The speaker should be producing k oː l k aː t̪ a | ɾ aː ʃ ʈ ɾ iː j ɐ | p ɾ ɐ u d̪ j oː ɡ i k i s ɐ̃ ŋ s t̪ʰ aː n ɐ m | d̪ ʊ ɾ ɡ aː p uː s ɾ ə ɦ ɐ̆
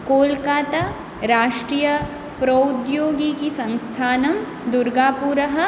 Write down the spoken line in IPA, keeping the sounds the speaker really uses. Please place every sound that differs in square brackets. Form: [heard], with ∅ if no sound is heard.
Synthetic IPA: k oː l k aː t̪ a | ɾ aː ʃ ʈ ɾ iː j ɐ | p ɾ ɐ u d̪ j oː ɡ i k i s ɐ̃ ŋ s t̪ʰ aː n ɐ m | d̪ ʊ ɾ ɡ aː p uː [∅] ɾ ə ɦ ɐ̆

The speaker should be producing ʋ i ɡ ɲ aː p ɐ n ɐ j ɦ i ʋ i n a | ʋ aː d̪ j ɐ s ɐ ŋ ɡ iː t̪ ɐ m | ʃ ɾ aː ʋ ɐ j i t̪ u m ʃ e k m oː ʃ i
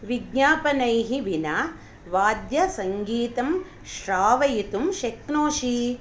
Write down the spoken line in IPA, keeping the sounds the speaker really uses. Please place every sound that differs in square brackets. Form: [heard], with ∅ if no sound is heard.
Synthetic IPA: ʋ i ɡ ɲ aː p ɐ n ɐ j ɦ i ʋ i n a | ʋ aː d̪ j ɐ s ɐ ŋ ɡ iː t̪ ɐ m | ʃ ɾ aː ʋ ɐ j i t̪ u m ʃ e k [n] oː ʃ i

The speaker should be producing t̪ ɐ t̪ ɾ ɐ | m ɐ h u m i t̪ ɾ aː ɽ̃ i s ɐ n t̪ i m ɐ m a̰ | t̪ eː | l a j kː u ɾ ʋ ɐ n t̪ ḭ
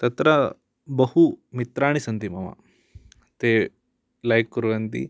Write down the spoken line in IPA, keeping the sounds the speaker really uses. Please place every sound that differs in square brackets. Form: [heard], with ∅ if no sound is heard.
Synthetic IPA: t̪ ɐ t̪ ɾ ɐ | [b] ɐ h u m i t̪ ɾ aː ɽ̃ i s ɐ n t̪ i m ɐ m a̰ | t̪ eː | l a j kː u ɾ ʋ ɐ n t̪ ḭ

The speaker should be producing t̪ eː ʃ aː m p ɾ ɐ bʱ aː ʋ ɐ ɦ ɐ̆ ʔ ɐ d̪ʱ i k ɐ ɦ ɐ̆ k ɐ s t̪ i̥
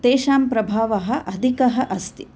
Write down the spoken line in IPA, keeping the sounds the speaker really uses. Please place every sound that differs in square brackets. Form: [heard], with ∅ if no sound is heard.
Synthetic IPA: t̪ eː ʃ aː m p ɾ ɐ bʱ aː ʋ ɐ ɦ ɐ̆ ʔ ɐ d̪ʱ i k ɐ ɦ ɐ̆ [ʔ] ɐ s t̪ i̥

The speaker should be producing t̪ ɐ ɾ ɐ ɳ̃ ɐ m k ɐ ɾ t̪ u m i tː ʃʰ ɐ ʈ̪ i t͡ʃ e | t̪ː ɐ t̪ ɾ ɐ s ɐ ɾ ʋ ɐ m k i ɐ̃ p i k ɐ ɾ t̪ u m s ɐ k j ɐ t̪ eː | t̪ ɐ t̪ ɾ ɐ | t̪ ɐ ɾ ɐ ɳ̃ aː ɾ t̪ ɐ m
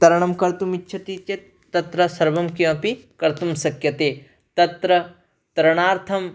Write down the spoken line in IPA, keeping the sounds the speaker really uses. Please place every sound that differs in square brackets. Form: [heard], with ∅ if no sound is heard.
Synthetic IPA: t̪ ɐ ɾ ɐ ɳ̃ ɐ m k ɐ ɾ t̪ u m i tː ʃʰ ɐ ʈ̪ i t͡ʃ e | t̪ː ɐ t̪ ɾ ɐ s ɐ ɾ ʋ ɐ m k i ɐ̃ p i k ɐ ɾ t̪ u m s ɐ k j ɐ t̪ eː | t̪ ɐ t̪ ɾ ɐ | t̪ ɐ ɾ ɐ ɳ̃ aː ɾ [t̪ʰ] ɐ m

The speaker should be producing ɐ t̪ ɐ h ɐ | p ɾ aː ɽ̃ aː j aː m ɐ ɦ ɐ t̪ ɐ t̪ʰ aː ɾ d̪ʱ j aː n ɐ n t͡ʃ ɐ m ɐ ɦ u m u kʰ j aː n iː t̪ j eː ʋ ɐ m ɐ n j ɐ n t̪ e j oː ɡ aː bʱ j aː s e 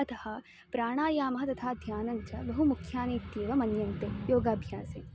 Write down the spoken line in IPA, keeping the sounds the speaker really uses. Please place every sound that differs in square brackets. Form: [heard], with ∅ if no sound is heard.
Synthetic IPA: ɐ t̪ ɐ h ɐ | p ɾ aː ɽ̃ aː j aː m ɐ ɦ ɐ t̪ ɐ t̪ʰ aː [∅] d̪ʱ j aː n ɐ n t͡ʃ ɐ [b] ɐ ɦ u m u kʰ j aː n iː t̪ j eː ʋ ɐ m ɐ n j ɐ n t̪ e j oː ɡ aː bʱ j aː s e

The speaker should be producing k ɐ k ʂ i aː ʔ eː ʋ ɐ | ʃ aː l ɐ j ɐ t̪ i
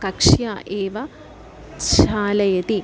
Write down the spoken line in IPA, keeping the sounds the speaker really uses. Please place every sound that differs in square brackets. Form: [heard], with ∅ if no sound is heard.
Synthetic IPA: k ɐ k ʂ [j] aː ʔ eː ʋ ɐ | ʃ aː l ɐ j ɐ t̪ i

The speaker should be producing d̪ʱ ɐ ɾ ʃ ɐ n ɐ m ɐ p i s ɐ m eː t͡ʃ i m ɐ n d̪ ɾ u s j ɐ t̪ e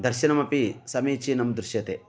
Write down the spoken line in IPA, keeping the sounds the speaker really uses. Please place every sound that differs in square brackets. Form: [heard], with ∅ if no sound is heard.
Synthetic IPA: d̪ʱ ɐ ɾ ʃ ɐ n ɐ m ɐ p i s ɐ m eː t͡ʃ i [n] ɐ [m] d̪ ɾ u [ʃ] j ɐ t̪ e

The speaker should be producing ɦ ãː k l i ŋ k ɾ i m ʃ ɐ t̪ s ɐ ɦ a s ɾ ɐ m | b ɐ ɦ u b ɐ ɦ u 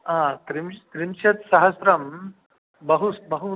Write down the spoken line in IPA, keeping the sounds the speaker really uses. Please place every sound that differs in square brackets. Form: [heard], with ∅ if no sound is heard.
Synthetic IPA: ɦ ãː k [ɾ] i [m] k ɾ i m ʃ ɐ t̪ s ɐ ɦ [ɐ] s ɾ ɐ m | b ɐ ɦ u b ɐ ɦ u

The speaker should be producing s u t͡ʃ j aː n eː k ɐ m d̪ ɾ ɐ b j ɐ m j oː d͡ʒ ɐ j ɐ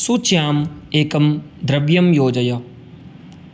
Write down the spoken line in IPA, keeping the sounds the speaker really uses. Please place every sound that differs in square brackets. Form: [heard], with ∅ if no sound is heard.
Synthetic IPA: s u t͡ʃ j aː [m] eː k ɐ m d̪ ɾ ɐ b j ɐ m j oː d͡ʒ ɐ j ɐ

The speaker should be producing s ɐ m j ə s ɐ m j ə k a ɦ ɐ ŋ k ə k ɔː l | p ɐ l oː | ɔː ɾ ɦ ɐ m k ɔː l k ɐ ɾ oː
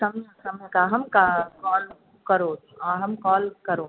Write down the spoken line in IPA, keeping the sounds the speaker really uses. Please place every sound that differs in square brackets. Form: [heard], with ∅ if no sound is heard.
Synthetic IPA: s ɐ m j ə s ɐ m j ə k a ɦ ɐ [m] k [a] k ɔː l | [k] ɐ [ɾ] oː | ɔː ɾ ɦ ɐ m k ɔː l k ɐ ɾ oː

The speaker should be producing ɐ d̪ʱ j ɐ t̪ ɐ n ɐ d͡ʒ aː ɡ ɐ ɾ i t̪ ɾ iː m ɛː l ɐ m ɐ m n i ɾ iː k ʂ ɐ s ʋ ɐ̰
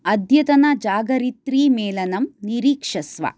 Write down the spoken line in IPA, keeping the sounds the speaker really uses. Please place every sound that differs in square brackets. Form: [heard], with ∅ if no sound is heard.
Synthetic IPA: ɐ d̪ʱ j ɐ t̪ ɐ n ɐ d͡ʒ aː ɡ ɐ ɾ i t̪ ɾ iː m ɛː l ɐ [n] ɐ m n i ɾ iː k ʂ ɐ s ʋ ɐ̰

